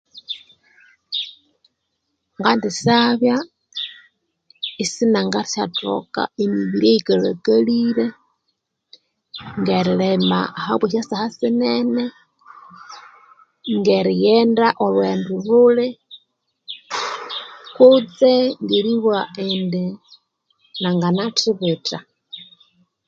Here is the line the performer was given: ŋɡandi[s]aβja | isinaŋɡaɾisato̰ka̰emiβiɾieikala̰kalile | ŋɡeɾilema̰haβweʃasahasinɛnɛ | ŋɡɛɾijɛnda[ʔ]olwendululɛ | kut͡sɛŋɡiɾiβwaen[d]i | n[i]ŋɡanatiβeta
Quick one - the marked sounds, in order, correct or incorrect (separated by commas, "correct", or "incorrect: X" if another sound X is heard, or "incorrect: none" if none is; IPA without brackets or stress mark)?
correct, correct, correct, incorrect: a